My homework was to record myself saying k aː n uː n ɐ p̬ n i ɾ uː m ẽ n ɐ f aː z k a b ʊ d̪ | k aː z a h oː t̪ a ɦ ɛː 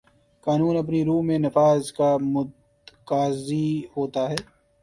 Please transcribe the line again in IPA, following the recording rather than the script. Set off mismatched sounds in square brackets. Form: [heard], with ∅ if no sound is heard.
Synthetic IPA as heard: k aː n uː n ɐ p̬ n i ɾ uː m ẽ n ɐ f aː z k a [m] ʊ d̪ | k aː z [i] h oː t̪ a ɦ ɛː